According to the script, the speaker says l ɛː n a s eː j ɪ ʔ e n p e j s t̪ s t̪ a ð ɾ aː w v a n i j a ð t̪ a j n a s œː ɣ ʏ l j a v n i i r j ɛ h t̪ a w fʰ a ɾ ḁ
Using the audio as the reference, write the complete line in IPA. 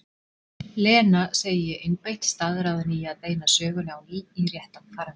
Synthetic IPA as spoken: l ɛː n a s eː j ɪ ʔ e n p e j h t̪ s t̪ a ð ɾ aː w ð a n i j a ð t̪ e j n a s œː ɣ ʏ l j a w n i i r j ɛ h t̪ a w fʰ a ɾ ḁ